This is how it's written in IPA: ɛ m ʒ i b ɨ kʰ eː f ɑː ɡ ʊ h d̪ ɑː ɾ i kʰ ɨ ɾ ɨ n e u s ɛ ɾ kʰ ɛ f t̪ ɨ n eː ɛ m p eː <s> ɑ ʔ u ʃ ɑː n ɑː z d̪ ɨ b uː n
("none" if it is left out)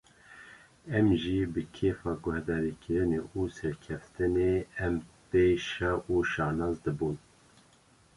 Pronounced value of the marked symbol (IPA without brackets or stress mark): ʃ